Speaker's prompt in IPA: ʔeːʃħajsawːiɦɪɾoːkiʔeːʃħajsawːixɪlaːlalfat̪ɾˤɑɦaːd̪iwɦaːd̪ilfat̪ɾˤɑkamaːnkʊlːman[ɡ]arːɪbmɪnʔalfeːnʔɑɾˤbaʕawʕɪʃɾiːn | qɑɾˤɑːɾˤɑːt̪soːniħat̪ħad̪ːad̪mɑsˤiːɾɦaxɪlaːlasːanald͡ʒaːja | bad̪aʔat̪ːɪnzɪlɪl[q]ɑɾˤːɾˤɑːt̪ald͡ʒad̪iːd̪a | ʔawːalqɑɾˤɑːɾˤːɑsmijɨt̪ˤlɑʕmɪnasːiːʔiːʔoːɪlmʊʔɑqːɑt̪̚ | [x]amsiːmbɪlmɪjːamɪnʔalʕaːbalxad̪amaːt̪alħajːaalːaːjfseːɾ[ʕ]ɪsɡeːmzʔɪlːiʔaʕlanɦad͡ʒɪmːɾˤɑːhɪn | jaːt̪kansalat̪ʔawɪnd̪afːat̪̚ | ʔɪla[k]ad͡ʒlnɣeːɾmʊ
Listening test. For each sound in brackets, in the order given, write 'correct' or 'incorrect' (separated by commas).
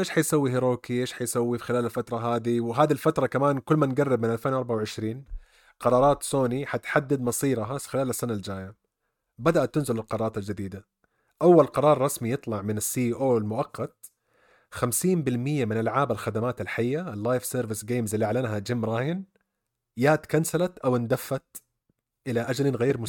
correct, correct, correct, incorrect, incorrect